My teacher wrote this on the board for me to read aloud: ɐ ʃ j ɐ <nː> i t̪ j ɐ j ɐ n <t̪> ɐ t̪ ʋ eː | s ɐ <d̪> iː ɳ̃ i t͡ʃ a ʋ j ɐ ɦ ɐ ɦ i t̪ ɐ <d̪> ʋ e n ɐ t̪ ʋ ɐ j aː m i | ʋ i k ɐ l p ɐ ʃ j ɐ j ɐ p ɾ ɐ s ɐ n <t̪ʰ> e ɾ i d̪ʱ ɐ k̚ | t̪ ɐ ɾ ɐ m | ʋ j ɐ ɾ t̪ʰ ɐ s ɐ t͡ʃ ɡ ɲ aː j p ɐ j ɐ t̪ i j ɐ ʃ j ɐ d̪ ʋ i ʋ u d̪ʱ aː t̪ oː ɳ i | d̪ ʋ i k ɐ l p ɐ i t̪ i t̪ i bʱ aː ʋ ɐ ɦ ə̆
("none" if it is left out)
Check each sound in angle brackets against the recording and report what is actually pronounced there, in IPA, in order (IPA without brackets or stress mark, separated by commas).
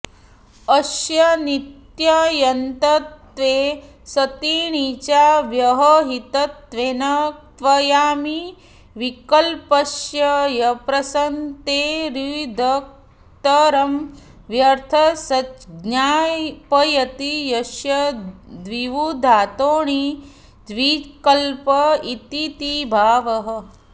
n, t̪, t̪, t̪, t̪